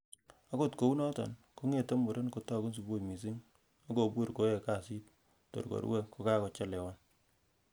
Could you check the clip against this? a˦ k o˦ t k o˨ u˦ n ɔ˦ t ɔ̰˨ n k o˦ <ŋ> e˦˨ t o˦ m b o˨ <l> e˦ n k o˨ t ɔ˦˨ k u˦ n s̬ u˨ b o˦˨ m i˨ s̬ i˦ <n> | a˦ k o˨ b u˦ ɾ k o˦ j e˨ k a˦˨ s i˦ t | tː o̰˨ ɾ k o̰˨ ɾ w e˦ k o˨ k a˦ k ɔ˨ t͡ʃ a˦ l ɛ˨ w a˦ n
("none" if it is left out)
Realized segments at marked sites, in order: ŋ, ɾ, ŋ

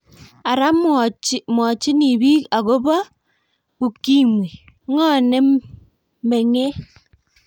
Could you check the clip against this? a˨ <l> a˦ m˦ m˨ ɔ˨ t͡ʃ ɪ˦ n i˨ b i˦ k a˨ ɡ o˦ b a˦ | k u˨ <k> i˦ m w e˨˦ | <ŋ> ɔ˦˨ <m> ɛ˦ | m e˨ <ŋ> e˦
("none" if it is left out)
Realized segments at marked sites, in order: ɾ, k, ŋ, n, ŋ

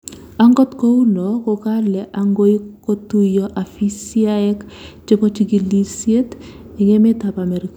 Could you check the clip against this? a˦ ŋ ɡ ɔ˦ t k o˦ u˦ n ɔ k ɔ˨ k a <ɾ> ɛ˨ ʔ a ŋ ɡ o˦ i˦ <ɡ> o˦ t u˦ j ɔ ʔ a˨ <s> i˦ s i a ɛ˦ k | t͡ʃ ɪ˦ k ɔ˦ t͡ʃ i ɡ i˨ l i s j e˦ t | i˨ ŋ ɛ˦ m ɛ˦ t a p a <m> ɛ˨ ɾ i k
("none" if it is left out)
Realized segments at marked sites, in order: l, k, f, m

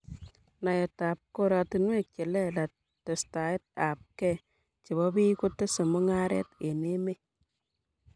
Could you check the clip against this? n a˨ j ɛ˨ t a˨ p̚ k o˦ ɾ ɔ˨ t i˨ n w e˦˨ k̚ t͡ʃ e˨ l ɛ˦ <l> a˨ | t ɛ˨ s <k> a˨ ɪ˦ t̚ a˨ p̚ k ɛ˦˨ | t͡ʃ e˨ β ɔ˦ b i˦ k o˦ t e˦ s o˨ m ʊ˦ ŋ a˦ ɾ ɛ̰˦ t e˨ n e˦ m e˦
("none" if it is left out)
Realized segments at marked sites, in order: l, t

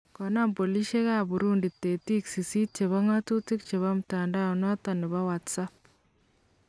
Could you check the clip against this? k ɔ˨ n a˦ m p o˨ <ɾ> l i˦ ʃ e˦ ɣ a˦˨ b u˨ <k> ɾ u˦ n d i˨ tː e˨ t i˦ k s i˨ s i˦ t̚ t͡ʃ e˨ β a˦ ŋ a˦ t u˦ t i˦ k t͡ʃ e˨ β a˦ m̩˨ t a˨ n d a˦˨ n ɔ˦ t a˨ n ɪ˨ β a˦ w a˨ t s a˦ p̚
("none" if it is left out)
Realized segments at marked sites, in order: none, none

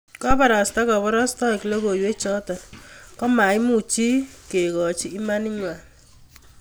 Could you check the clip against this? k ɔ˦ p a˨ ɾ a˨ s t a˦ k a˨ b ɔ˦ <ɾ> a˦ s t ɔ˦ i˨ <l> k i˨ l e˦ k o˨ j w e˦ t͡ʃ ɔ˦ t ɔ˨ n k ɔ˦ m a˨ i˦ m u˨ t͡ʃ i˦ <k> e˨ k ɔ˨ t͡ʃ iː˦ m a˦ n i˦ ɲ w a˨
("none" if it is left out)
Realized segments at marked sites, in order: ɾ, none, k

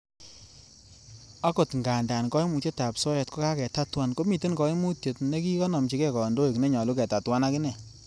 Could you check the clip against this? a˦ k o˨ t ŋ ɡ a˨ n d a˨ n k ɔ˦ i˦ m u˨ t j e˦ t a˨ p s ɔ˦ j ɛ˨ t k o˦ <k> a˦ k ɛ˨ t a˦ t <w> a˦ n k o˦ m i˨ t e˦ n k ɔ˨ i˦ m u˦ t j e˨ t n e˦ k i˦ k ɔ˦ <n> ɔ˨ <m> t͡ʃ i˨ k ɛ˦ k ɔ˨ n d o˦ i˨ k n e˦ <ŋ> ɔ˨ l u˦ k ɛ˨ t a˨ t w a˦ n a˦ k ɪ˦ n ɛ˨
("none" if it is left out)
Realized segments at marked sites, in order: k, w, n, m, ɲ

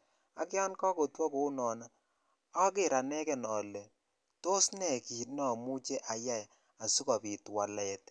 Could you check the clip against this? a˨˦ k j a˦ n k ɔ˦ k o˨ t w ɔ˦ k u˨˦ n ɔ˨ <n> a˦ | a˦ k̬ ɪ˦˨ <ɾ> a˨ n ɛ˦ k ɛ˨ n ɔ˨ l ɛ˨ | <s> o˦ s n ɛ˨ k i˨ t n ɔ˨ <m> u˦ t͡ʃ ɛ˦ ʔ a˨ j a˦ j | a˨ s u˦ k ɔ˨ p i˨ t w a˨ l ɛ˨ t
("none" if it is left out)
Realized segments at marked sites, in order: n, ɾ, t, m

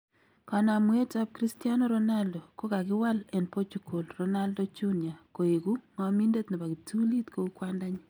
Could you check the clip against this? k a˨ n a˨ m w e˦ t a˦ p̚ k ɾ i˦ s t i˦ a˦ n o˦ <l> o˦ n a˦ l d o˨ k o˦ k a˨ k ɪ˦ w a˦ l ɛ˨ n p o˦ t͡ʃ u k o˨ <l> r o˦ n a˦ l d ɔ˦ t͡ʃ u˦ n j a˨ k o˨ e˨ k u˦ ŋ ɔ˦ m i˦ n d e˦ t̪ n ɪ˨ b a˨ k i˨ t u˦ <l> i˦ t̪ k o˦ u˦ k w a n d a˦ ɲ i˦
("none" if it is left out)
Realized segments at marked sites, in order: ɾ, l, l

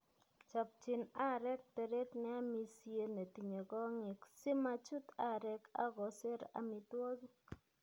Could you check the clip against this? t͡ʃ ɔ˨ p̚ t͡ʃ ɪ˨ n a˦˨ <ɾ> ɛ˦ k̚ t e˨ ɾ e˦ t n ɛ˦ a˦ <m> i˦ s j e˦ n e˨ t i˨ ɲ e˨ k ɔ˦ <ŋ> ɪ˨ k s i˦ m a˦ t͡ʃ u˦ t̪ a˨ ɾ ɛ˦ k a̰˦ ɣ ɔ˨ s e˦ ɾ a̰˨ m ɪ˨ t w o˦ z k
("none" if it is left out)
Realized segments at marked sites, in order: ɾ, m, ŋ

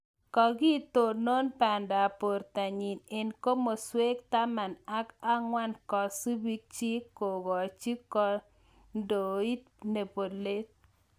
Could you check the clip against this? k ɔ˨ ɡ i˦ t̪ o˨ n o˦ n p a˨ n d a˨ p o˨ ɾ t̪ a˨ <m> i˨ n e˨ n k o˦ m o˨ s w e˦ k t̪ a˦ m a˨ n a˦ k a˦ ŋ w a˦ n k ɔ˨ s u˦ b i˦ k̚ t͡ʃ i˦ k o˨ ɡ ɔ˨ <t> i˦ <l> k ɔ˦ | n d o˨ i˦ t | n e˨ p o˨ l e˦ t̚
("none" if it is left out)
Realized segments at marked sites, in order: ɲ, t͡ʃ, none

